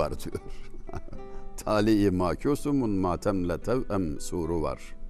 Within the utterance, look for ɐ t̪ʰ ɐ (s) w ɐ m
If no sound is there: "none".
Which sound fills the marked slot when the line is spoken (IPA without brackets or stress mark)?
none